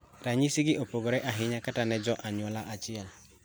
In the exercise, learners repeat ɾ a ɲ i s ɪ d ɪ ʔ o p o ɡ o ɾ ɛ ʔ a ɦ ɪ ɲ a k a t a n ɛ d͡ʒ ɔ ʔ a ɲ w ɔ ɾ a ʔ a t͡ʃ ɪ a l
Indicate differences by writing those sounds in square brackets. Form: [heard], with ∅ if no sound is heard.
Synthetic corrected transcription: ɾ a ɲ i s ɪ [ɡ] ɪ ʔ o p o ɡ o ɾ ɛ ʔ a ɦ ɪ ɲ a k a t a n ɛ d͡ʒ ɔ ʔ a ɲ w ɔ [l] a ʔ a t͡ʃ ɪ [ɛ] l